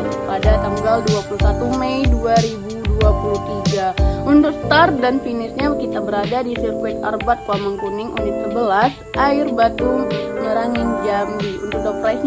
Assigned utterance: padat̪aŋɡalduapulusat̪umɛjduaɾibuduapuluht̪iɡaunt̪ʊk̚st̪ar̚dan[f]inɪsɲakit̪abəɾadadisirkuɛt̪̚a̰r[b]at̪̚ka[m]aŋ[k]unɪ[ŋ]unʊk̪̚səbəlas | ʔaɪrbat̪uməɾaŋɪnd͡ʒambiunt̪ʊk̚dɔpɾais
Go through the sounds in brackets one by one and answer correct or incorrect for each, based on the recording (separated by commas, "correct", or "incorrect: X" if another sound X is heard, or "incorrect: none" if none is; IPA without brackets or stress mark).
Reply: correct, correct, correct, correct, correct